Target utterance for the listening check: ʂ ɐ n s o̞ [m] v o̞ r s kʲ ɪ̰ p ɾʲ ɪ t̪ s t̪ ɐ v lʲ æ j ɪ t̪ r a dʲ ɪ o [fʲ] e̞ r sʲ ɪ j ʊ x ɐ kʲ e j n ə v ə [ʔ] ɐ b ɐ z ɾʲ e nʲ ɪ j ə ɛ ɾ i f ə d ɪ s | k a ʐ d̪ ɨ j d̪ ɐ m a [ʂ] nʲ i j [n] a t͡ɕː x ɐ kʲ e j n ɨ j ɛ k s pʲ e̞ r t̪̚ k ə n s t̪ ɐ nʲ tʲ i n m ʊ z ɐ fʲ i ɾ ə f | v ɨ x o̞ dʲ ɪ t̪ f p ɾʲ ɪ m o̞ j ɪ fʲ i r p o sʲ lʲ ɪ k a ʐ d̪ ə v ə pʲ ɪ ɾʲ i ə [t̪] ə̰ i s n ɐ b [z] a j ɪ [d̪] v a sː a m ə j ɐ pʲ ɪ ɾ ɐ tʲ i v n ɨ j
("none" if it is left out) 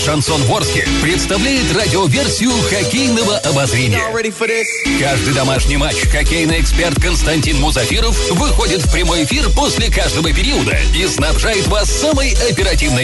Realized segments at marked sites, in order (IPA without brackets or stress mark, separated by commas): n, vʲ, ʔ, ʂ, m, d̪, ʐ, t̪